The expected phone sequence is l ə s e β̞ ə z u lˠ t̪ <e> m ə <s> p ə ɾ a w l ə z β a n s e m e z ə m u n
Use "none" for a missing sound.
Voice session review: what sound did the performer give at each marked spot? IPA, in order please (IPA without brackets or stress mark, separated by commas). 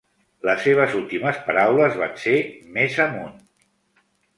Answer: i, s